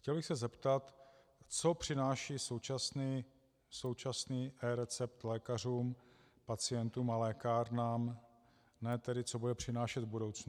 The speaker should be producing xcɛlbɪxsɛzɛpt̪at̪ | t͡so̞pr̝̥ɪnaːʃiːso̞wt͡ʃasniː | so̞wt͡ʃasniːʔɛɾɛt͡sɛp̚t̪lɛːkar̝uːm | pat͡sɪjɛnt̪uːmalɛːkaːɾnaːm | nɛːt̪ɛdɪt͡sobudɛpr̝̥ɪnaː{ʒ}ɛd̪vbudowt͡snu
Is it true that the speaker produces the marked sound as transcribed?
no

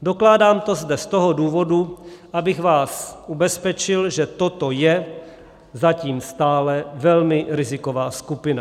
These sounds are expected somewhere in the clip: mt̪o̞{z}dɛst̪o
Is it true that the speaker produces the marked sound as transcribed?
yes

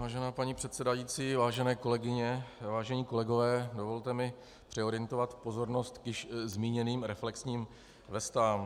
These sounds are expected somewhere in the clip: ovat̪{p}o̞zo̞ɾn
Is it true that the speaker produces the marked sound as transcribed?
yes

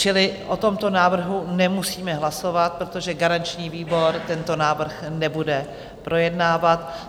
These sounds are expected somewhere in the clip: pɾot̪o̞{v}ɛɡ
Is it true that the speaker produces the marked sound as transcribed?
no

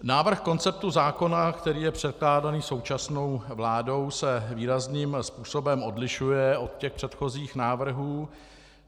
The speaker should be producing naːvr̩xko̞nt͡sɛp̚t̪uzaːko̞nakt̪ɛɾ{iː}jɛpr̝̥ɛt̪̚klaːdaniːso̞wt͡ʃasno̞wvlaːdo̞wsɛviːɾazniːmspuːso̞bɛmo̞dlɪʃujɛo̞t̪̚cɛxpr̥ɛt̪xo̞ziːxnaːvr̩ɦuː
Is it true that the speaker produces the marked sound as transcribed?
yes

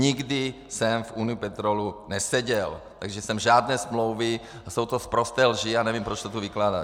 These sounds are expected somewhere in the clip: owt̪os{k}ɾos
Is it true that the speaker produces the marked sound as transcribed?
no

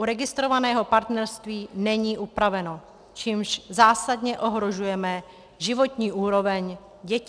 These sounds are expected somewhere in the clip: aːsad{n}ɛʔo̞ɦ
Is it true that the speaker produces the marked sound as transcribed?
no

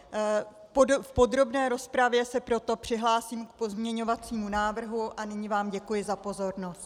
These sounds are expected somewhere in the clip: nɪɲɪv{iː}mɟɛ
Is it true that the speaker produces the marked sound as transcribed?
no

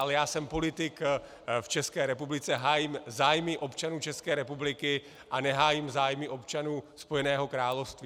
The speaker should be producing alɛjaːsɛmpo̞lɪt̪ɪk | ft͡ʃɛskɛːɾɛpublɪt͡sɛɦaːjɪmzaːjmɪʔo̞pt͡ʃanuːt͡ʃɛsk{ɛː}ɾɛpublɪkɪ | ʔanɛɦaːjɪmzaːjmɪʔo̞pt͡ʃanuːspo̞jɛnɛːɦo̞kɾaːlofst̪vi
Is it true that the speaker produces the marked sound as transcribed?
yes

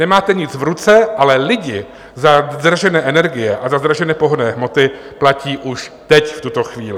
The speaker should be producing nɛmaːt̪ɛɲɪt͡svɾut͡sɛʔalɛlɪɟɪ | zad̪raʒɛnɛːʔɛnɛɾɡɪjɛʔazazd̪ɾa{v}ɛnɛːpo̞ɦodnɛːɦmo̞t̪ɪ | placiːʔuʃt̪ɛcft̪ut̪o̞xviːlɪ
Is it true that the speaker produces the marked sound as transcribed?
no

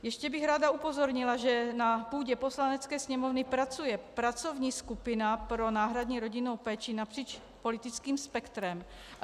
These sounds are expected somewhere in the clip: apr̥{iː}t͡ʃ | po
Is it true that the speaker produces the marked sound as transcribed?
yes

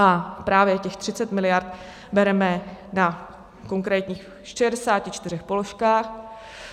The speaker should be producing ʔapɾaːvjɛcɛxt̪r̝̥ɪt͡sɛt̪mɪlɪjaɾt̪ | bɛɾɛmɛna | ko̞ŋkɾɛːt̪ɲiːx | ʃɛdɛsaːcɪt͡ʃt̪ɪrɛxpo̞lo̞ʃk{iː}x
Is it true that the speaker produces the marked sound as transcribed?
no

